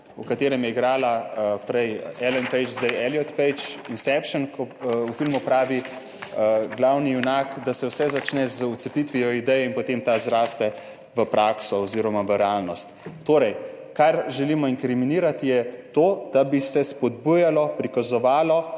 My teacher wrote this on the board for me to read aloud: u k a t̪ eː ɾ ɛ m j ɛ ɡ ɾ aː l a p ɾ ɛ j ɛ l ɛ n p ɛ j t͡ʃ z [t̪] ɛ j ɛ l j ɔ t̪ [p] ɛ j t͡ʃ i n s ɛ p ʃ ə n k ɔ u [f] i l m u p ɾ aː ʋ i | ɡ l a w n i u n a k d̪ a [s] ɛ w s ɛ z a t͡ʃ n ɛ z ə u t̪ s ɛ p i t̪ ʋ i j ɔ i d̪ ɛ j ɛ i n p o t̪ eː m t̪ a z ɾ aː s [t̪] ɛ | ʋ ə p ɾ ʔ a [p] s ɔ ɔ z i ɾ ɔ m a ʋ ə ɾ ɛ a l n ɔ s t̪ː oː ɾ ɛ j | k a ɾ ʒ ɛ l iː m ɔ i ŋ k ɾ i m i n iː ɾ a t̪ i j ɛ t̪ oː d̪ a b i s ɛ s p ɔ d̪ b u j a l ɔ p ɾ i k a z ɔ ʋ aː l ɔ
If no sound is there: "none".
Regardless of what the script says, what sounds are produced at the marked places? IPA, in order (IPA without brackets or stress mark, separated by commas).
d̪, p, f, s, t̪, k